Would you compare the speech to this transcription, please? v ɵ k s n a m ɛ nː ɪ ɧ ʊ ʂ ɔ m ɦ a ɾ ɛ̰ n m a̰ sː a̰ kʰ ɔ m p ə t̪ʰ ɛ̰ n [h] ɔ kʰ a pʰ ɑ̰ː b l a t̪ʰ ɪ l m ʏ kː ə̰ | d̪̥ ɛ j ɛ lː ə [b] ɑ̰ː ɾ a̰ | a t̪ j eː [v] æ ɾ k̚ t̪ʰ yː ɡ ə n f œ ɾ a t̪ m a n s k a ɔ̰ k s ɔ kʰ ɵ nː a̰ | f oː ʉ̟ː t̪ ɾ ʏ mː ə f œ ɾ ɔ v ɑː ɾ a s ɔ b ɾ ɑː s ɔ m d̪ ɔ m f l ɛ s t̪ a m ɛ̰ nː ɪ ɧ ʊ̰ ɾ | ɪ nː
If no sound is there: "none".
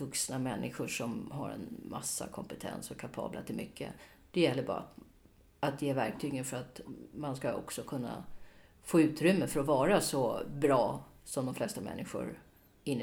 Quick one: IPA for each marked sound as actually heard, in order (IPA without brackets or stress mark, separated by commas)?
s, b, v